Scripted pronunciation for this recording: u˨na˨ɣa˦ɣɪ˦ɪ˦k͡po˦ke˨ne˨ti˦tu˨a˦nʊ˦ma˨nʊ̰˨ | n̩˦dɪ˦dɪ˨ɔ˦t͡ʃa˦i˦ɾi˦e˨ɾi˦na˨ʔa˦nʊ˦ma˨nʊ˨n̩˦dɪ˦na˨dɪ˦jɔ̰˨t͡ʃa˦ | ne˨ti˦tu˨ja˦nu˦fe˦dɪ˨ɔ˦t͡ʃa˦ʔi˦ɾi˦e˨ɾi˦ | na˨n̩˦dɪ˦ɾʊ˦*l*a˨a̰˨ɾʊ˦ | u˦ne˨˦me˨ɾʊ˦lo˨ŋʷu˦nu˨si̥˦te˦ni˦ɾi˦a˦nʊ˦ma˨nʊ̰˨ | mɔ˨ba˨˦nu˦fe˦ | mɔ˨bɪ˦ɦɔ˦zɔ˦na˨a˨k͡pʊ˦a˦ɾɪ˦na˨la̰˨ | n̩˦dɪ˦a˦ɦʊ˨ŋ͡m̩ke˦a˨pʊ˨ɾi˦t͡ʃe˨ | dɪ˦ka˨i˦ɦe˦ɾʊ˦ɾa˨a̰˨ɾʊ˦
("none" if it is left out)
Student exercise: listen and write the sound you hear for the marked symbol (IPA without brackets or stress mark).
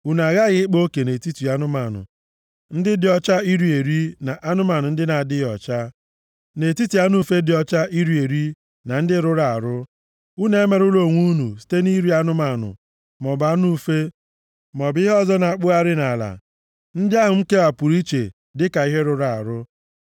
ɾ